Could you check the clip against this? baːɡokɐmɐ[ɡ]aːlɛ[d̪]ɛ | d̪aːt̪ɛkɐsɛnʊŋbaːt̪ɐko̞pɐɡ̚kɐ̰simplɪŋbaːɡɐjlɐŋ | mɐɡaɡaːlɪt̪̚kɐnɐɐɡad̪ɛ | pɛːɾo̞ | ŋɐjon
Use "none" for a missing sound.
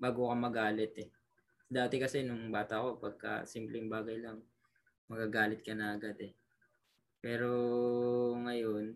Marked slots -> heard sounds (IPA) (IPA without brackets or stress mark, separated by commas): ɡ, t̪